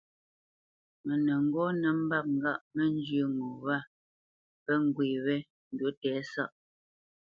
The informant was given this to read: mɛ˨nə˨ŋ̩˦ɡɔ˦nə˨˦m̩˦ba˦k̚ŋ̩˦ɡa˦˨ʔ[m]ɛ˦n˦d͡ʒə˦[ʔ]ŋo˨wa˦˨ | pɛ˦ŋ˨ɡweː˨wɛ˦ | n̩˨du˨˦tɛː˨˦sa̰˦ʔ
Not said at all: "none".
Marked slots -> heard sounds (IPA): m, none

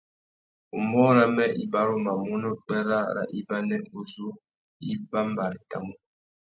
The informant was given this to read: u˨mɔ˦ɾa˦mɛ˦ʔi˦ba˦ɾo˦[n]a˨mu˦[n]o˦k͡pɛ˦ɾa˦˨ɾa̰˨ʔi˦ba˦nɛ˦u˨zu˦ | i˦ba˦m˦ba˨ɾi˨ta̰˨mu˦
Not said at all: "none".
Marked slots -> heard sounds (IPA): m, n

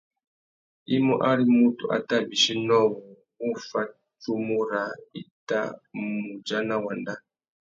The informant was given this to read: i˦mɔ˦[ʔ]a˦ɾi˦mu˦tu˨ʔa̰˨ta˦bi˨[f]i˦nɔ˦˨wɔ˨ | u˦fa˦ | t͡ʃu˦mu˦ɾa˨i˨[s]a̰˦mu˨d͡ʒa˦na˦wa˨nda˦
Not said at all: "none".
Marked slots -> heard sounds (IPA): ʔ, ʃ, t

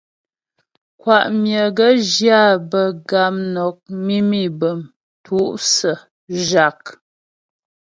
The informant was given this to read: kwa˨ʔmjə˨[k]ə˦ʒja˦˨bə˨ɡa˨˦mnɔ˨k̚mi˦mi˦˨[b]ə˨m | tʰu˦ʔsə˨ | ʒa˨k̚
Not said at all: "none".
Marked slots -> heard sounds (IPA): ɡ, b

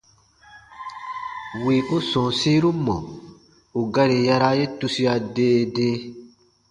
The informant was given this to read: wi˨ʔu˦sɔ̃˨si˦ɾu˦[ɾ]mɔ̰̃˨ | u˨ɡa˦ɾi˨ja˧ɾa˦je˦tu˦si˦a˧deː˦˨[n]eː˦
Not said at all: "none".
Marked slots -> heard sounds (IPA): none, d

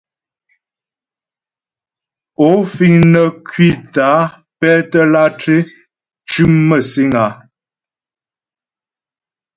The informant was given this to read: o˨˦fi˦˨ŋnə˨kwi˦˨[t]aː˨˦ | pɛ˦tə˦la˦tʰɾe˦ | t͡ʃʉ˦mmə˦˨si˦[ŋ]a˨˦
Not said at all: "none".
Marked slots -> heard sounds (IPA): t, ŋ

